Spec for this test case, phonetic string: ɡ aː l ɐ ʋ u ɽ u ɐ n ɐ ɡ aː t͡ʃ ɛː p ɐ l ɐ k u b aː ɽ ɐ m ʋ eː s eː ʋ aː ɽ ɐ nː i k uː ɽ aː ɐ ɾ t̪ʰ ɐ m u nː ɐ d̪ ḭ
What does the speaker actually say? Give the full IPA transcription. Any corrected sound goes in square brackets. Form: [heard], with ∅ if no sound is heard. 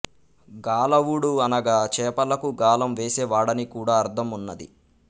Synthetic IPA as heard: ɡ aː l ɐ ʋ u ɽ u ɐ n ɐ ɡ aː t͡ʃ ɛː p ɐ l ɐ k u [ɡ] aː [l] ɐ m ʋ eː s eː ʋ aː ɽ ɐ [n] i k uː ɽ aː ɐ ɾ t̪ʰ ɐ m u nː ɐ d̪ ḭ